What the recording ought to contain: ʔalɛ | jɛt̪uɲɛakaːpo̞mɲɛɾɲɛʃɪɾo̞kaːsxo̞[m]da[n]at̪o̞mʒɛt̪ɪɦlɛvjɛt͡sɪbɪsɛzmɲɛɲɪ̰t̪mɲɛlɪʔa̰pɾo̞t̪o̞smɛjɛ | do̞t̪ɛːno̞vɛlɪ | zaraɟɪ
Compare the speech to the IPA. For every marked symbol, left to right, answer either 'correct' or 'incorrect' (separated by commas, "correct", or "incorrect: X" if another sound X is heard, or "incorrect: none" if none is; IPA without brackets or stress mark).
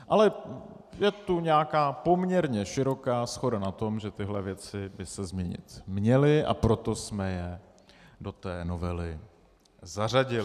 incorrect: none, correct